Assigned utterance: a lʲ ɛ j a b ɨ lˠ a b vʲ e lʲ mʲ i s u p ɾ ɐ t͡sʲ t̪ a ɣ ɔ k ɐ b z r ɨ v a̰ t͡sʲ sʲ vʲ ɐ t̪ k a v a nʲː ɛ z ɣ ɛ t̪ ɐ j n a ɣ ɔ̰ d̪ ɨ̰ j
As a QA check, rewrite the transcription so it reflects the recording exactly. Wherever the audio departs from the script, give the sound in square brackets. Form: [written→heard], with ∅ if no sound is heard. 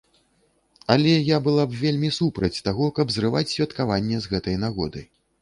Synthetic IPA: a lʲ ɛ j a b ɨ lˠ a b vʲ e lʲ mʲ i s u p ɾ ɐ t͡sʲ t̪ a ɣ ɔ k ɐ b z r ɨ v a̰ t͡sʲ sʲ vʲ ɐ t̪ k a v a nʲː ɛ z ɣ ɛ t̪ ɐ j n a ɣ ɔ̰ d̪ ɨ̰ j